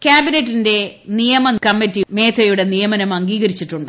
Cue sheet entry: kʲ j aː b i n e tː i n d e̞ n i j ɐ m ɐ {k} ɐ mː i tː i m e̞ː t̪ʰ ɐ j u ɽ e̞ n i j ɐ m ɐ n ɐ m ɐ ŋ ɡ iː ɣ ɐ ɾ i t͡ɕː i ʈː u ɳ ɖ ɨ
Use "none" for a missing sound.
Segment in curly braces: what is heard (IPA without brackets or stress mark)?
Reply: k